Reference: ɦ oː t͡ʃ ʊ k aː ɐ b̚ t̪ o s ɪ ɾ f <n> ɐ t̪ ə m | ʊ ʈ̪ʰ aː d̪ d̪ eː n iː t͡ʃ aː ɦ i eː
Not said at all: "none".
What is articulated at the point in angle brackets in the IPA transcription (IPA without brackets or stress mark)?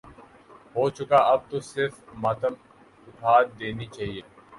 m